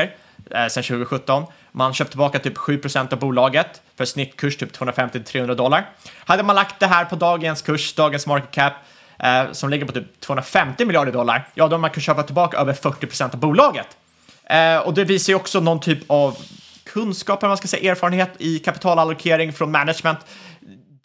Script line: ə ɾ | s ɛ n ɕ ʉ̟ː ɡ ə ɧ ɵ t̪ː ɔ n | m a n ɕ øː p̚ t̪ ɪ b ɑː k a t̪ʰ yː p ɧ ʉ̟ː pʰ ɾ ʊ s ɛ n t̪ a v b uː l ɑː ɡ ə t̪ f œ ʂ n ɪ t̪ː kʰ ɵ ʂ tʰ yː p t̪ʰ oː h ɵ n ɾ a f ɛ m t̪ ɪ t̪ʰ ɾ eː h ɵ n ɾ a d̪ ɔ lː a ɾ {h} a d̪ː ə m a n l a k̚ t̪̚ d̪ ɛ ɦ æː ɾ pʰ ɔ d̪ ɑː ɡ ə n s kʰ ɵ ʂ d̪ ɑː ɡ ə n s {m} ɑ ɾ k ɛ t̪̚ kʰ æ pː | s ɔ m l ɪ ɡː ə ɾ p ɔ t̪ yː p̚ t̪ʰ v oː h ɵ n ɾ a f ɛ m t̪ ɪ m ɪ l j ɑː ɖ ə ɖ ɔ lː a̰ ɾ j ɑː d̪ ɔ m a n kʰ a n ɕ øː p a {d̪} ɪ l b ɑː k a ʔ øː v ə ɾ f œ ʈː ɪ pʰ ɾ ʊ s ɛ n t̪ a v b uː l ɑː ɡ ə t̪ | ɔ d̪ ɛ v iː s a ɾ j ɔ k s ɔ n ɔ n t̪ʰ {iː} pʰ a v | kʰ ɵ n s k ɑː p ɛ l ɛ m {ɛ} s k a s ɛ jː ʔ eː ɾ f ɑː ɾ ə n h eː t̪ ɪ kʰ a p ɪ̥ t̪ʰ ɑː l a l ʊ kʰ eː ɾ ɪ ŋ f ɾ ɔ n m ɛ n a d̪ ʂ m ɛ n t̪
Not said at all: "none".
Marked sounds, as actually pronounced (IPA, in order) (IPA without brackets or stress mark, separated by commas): h, m, t̪, yː, a